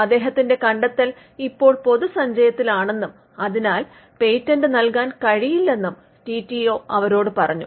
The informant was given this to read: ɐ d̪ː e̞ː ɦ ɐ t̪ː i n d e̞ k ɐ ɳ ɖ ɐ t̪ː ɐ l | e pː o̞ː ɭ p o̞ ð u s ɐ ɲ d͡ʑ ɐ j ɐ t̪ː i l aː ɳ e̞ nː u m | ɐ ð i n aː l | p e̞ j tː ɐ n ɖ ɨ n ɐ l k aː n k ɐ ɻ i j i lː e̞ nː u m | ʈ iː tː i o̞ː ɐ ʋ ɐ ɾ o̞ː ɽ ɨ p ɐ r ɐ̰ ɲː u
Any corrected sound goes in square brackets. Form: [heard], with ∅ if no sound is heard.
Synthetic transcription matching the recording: ɐ d̪ː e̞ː ɦ ɐ t̪ː i n d e̞ k ɐ ɳ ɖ ɐ t̪ː ɐ l | [i] pː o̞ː ɭ p o̞ ð u s ɐ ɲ d͡ʑ ɐ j ɐ t̪ː i l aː ɳ e̞ nː u m | ɐ ð i n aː l | p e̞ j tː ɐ n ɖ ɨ n ɐ l k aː n k ɐ ɻ i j i lː e̞ nː u m | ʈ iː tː i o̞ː ɐ ʋ ɐ ɾ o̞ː ɽ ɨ p ɐ r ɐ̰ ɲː u